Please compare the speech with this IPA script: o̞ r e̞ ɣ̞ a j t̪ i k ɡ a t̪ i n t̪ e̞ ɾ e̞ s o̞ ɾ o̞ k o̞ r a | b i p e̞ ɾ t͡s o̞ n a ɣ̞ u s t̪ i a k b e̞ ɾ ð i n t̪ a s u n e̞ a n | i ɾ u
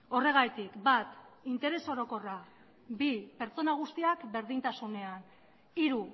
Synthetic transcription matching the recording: o̞ r e̞ ɣ̞ a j t̪ i k b a t̪ i n t̪ e̞ ɾ e̞ s o̞ ɾ o̞ k o̞ r a | b i p e̞ ɾ t͡s o̞ n a ɣ̞ u s t̪ i a k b e̞ ɾ ð i n t̪ a s u n e̞ a n | i ɾ u